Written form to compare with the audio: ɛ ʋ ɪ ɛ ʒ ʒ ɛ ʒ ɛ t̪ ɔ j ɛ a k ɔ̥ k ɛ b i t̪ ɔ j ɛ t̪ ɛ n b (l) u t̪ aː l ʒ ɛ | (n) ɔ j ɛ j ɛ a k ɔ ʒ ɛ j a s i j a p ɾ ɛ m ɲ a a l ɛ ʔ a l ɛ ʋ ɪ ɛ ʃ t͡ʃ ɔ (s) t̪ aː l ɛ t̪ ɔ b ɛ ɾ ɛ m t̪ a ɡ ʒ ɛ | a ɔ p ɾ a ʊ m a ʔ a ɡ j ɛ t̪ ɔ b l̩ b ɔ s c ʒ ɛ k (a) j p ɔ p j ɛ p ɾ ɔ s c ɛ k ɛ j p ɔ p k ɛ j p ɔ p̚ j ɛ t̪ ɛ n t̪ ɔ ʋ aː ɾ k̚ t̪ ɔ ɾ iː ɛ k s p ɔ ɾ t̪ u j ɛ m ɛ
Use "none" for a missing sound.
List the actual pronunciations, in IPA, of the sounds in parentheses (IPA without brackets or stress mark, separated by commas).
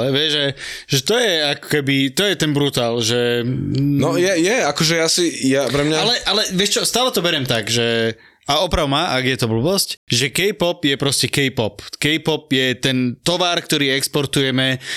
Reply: ɾ, n, s, ɛ